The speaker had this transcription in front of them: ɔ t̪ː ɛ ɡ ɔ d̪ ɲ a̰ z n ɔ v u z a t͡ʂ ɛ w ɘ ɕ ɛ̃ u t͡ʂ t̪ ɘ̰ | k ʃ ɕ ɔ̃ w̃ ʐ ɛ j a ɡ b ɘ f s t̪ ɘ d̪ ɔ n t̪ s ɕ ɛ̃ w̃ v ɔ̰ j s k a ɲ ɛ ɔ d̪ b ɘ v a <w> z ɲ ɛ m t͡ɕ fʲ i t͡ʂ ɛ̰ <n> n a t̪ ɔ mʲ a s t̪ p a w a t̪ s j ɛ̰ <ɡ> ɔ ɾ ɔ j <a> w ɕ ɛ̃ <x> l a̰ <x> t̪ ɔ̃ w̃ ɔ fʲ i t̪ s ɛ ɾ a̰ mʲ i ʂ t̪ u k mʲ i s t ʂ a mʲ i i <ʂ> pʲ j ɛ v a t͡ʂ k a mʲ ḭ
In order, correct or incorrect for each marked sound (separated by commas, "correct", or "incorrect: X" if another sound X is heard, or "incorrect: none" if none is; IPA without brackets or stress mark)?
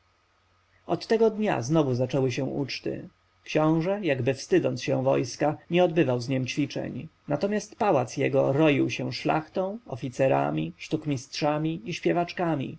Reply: correct, incorrect: ɲ, correct, incorrect: i, incorrect: ʂ, correct, incorrect: ɕ